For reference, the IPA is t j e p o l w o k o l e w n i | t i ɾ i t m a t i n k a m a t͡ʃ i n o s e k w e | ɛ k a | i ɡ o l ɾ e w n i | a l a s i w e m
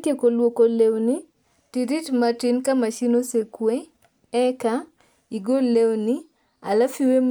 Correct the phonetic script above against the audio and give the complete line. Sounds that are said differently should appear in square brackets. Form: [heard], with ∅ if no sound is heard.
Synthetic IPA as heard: t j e [k] o l w o k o l e w n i | t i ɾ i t m a t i n k a m a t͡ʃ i n o s e k w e | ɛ k a | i ɡ o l [l] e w n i | a l a [f] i w e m

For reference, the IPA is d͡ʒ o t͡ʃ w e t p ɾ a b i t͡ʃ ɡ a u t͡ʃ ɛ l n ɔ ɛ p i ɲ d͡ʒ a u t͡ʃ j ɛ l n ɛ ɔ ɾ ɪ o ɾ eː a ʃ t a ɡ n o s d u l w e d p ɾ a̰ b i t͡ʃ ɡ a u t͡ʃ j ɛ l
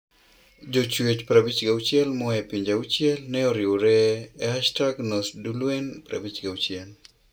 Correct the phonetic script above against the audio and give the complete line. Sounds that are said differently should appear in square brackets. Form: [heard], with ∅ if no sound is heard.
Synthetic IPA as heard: d͡ʒ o t͡ʃ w e [t͡ʃ] p ɾ a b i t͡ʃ ɡ a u t͡ʃ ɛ l [m] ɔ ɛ p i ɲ d͡ʒ a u t͡ʃ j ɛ l n ɛ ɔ ɾ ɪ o ɾ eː a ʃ t a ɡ n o s d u l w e [n] p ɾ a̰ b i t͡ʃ ɡ a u t͡ʃ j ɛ l

